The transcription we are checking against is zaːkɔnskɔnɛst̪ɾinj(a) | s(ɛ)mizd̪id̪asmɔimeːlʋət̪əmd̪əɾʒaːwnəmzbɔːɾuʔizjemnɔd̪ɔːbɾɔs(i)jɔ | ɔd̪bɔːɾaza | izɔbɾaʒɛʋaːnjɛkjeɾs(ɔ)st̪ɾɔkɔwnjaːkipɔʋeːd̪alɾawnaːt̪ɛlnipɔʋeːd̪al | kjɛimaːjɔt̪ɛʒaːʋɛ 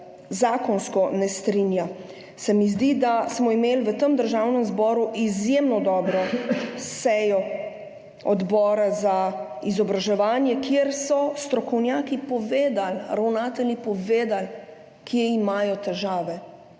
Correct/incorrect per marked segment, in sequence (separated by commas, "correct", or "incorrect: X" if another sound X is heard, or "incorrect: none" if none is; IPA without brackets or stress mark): correct, correct, incorrect: ɛ, correct